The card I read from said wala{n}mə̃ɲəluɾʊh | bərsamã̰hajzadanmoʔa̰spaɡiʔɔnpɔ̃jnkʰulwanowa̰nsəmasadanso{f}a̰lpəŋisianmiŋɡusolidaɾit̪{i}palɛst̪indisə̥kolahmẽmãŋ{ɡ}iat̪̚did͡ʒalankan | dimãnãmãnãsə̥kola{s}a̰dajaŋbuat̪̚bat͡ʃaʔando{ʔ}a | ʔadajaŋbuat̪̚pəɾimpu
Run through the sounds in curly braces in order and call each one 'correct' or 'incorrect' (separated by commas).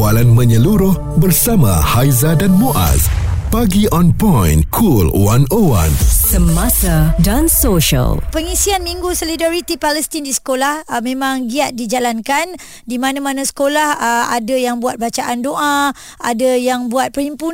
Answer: correct, incorrect, correct, correct, incorrect, correct